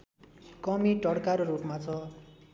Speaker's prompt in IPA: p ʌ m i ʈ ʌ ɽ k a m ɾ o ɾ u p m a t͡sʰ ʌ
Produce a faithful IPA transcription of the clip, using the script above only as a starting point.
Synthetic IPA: k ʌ m i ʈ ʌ ɽ k a ɾ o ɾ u p m a t͡sʰ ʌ